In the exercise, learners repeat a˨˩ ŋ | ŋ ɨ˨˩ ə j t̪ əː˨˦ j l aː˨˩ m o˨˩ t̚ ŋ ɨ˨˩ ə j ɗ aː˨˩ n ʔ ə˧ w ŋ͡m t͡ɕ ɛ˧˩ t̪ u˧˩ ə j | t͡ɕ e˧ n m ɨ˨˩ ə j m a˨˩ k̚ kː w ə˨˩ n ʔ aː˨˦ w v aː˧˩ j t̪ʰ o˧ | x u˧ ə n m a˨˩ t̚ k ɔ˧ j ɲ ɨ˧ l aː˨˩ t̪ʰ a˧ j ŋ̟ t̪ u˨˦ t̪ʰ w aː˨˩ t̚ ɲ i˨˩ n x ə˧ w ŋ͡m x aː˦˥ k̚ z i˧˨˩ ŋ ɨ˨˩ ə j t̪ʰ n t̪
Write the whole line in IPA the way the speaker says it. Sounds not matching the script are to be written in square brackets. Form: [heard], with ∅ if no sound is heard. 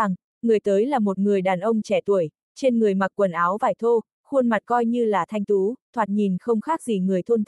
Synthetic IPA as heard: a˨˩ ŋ | ŋ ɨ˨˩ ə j t̪ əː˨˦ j l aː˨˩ m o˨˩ t̚ ŋ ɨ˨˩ ə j ɗ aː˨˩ n ʔ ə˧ w ŋ͡m t͡ɕ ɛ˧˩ t̪ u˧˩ ə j | t͡ɕ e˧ n [ŋ] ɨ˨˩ ə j m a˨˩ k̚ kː w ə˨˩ n ʔ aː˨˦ w v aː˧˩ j t̪ʰ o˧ | x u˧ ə n m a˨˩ t̚ k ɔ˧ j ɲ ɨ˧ l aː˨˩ t̪ʰ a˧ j ŋ̟ t̪ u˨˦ t̪ʰ w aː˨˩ t̚ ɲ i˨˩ n x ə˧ w ŋ͡m x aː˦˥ k̚ z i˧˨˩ ŋ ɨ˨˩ ə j t̪ʰ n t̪